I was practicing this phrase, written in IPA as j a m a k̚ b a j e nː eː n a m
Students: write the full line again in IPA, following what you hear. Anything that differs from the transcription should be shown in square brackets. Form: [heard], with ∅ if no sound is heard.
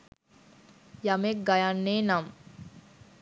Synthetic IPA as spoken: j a m [e] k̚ [ɡ] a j [a] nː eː n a m